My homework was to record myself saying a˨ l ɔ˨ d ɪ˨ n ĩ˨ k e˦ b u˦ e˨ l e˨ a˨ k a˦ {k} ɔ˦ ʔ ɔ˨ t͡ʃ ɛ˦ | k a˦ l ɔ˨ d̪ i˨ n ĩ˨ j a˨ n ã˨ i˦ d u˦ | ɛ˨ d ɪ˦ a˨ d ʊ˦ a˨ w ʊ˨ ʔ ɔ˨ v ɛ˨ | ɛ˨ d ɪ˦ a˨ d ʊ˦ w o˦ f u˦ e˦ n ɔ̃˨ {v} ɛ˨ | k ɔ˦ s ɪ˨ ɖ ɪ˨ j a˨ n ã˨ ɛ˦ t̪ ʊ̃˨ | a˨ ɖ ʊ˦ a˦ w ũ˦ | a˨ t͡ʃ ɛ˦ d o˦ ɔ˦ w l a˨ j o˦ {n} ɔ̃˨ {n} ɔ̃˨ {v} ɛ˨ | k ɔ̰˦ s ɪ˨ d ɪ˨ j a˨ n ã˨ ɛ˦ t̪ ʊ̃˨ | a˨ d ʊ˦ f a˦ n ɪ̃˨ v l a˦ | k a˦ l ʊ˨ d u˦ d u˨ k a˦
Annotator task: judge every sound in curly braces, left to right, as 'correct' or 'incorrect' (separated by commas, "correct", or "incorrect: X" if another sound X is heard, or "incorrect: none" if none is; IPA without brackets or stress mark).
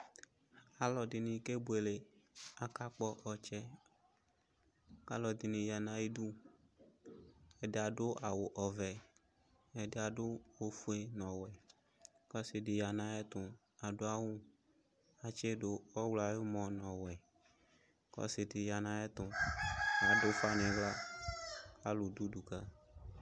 incorrect: k͡p, incorrect: w, incorrect: m, correct, incorrect: w